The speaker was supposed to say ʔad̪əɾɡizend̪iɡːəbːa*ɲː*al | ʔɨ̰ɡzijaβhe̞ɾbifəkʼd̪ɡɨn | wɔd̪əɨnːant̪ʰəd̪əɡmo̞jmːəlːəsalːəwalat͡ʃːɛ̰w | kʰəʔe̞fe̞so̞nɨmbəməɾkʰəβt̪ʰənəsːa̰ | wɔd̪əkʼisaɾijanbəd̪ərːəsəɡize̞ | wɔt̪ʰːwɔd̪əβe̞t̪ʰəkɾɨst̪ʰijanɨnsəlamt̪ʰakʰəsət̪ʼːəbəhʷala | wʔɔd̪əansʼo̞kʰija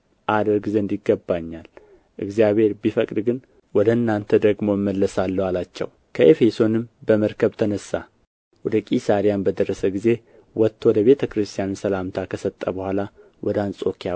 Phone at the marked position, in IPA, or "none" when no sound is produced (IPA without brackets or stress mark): ɲː